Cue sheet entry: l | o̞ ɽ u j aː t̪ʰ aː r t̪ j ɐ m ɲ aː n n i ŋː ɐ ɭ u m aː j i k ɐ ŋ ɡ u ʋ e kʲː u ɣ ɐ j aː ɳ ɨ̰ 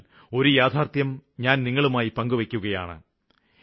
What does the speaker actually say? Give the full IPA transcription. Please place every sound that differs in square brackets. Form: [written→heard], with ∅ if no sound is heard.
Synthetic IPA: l | o̞ [ɽ→ɾ] u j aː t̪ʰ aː r t̪ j ɐ m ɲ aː n n i ŋː ɐ ɭ u m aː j i [k→p] ɐ ŋ ɡ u ʋ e kʲː u ɣ ɐ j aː ɳ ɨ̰

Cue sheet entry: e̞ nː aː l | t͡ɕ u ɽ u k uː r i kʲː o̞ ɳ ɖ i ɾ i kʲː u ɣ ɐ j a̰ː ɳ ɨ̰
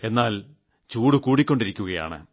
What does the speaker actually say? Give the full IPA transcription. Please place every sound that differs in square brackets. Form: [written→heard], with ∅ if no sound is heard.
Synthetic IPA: e̞ nː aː l | t͡ɕ [u→uː] ɽ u k uː [r→ɽ] i kʲː o̞ ɳ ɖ i ɾ i kʲː u ɣ ɐ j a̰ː ɳ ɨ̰

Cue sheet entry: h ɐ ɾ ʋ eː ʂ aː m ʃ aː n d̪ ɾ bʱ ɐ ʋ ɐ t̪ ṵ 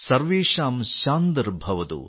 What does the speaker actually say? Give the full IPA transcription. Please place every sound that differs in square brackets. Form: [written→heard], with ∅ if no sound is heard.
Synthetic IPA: [h→s] ɐ ɾ ʋ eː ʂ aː m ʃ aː n d̪ ɾ bʱ ɐ ʋ ɐ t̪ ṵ

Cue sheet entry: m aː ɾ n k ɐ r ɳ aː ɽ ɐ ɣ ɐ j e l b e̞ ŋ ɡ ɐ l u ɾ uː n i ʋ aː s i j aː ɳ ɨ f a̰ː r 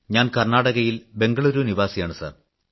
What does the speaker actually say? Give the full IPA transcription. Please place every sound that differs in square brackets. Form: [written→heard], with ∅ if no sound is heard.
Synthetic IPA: [m→ɲ] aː [ɾ→∅] n k ɐ r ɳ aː ɽ ɐ ɣ ɐ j [e→i] l b e̞ ŋ ɡ ɐ [l→ɭ] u ɾ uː n i ʋ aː s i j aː ɳ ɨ [f→s] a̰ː r

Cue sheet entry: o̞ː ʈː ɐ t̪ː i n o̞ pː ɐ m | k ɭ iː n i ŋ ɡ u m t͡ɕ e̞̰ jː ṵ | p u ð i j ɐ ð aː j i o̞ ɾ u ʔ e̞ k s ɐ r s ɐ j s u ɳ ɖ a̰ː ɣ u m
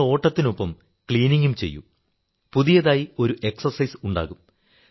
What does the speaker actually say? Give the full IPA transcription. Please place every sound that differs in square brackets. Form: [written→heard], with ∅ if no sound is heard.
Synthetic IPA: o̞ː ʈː ɐ t̪ː i n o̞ pː ɐ m | k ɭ iː n i ŋ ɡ u m t͡ɕ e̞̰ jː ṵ | p u ð i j ɐ ð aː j i o̞ ɾ u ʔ e̞ k s ɐ r s ɐ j s u ɳ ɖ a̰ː ɣ u m

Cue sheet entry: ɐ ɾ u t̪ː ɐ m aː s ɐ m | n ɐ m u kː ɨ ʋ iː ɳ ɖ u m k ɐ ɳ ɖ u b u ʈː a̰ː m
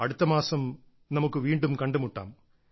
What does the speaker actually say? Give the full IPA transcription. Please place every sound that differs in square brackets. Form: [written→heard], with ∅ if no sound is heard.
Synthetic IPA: ɐ [ɾ→ɽ] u t̪ː ɐ m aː s ɐ m | n ɐ m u kː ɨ ʋ iː ɳ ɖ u m k ɐ ɳ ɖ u [b→m] u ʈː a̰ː m

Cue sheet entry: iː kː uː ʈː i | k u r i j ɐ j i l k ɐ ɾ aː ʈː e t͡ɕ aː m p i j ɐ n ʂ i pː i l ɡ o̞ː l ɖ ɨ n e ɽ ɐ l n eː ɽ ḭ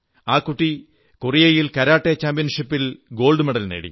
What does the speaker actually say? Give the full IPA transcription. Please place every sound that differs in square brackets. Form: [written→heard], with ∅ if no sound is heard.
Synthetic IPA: [iː→aː] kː [uː→u] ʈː i | k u r i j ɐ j i l k ɐ ɾ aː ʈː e t͡ɕ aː m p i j ɐ n ʂ i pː i l ɡ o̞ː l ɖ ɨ [n→m] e ɽ ɐ l n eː ɽ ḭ

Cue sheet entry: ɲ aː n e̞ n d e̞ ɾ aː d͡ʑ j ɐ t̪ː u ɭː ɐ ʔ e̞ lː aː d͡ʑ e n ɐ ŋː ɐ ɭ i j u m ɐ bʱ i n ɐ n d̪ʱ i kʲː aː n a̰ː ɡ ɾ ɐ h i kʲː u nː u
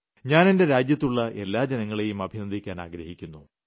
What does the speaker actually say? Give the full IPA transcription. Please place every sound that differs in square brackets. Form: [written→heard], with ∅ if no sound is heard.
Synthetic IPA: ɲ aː n e̞ n d e̞ ɾ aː d͡ʑ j ɐ t̪ː u ɭː ɐ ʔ e̞ lː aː d͡ʑ e n ɐ ŋː ɐ ɭ [i→e] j u m ɐ bʱ i n ɐ n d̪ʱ i kʲː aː n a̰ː ɡ ɾ ɐ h i kʲː u nː u

